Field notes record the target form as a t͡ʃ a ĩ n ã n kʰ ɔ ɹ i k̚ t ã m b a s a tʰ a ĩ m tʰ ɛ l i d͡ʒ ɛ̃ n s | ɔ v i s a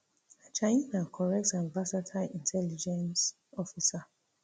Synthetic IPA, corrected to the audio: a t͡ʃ a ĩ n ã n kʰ ɔ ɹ ɛ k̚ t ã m b a s a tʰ a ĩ n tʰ ɛ l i d͡ʒ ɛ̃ n s | ɔ f i s a